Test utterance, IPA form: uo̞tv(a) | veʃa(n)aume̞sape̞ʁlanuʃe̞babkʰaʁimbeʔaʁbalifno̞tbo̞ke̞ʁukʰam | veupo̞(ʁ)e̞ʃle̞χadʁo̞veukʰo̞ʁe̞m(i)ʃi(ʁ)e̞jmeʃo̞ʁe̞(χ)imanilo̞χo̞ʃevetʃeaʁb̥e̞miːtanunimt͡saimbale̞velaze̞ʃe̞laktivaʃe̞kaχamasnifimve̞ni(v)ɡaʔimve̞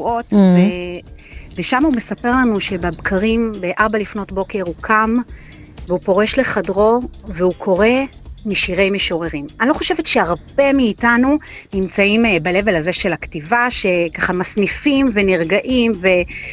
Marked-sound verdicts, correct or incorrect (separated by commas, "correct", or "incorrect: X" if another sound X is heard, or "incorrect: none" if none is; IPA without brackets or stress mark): incorrect: e, incorrect: m, correct, correct, correct, incorrect: ʁ, incorrect: ʁ